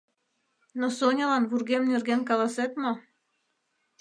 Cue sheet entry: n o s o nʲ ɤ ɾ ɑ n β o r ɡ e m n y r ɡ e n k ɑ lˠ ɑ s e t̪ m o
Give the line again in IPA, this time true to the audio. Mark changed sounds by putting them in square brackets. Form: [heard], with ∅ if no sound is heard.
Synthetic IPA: n o s o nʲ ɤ [l] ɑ n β [u] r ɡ e m n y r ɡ e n k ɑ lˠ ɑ s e t̪ m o